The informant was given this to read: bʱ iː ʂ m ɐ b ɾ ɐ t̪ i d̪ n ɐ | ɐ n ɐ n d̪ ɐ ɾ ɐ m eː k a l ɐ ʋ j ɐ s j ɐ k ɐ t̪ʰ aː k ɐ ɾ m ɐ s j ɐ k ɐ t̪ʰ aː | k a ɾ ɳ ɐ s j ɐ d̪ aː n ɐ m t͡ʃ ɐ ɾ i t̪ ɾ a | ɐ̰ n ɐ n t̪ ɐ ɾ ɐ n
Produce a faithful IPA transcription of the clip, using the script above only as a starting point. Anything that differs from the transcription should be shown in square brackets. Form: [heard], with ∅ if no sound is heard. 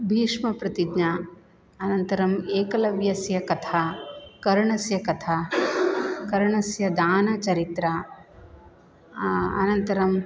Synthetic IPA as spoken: bʱ iː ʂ m ɐ [p] ɾ ɐ t̪ i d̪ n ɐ | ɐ n ɐ n [t̪] ɐ ɾ ɐ m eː k [ɐ] l ɐ ʋ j ɐ s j ɐ k ɐ t̪ʰ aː k ɐ ɾ [ɳ] ɐ s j ɐ k ɐ t̪ʰ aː | k [ɐ] ɾ ɳ ɐ s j ɐ d̪ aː n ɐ [∅] t͡ʃ ɐ ɾ i t̪ ɾ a | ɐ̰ n ɐ n t̪ ɐ ɾ ɐ [m]